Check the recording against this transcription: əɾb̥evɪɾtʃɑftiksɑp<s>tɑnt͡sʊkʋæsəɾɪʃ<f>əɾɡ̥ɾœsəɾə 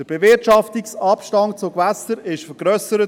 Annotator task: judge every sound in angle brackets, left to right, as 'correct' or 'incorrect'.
incorrect: ʃ, correct

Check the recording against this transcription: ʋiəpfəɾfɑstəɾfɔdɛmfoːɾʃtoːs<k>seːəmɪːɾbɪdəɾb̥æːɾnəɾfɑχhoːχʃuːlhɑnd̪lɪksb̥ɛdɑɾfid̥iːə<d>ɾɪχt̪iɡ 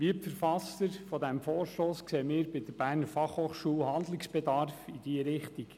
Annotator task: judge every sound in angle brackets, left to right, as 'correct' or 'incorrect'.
correct, incorrect: none

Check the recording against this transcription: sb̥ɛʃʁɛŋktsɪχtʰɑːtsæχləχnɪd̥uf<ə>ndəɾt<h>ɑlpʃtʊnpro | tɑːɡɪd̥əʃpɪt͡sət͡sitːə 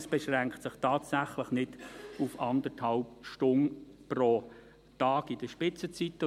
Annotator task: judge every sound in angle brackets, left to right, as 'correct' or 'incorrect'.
incorrect: ɑ, correct

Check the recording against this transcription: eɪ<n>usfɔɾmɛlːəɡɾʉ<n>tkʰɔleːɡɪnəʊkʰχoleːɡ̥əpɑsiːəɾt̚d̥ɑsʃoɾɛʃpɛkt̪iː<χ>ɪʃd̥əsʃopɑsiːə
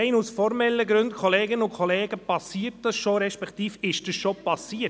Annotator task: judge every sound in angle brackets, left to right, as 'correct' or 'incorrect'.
correct, correct, incorrect: f

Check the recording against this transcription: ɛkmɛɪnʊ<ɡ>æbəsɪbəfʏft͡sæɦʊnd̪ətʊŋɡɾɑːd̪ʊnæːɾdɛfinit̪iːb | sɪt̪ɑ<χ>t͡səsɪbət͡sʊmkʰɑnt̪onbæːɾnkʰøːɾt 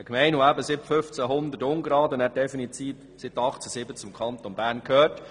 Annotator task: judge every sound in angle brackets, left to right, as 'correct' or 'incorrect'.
incorrect: none, correct

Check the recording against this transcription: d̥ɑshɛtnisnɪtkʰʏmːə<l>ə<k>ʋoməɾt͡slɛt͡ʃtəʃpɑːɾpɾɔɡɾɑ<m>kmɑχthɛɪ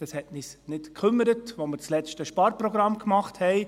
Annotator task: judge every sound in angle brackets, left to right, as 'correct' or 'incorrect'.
incorrect: ɾ, incorrect: t, correct

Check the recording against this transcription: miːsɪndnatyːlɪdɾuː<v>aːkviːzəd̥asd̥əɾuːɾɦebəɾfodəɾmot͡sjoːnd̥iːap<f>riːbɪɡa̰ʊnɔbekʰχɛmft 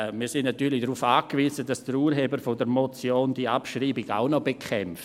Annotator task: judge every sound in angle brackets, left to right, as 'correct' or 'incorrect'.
incorrect: f, incorrect: ʃ

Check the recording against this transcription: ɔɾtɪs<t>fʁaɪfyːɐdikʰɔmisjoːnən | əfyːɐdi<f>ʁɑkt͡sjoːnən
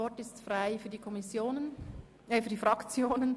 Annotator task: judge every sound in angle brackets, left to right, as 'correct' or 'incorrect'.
correct, correct

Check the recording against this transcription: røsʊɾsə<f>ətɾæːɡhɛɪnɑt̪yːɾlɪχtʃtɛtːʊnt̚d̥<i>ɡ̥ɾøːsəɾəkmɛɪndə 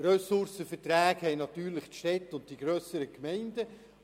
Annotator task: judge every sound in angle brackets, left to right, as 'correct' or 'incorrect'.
correct, correct

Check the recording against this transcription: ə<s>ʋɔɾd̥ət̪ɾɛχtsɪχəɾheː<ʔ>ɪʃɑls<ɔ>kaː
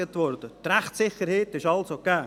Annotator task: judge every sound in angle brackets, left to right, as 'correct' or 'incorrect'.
incorrect: t, incorrect: t, incorrect: o

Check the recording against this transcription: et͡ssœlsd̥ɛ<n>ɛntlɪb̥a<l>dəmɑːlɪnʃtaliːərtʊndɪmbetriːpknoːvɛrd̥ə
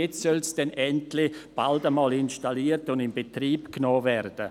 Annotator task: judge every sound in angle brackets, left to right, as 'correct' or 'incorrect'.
correct, correct

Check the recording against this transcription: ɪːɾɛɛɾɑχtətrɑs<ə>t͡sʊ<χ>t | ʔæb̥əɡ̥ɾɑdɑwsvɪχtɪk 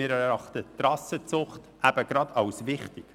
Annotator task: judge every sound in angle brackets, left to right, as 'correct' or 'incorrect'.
correct, correct

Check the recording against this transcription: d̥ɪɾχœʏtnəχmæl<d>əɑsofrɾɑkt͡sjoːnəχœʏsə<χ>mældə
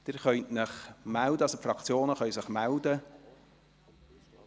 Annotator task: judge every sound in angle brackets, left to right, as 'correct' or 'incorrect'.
correct, correct

